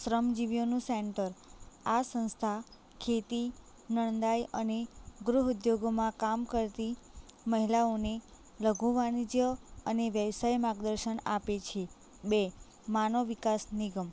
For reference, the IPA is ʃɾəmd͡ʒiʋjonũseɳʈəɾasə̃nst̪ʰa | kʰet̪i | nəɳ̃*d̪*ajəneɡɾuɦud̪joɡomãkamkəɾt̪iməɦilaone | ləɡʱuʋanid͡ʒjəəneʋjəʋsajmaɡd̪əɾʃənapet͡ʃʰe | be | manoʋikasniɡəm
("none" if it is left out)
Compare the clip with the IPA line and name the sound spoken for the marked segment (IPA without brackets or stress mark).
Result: d̪